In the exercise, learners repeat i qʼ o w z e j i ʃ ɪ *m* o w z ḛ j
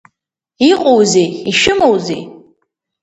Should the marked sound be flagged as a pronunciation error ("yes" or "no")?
no